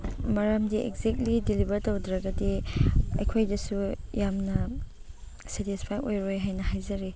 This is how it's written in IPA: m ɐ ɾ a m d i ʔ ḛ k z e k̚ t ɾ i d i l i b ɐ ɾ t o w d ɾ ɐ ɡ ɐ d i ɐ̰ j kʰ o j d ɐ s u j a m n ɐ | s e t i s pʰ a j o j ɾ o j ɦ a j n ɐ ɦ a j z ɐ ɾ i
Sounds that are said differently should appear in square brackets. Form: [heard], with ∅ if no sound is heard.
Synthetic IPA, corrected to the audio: m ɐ ɾ a m d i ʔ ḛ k z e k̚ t [l] i d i l i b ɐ ɾ t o w d ɾ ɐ ɡ ɐ d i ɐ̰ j kʰ o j d ɐ s u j a m n ɐ | s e t i s pʰ a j o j ɾ o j ɦ a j n ɐ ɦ a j z ɐ ɾ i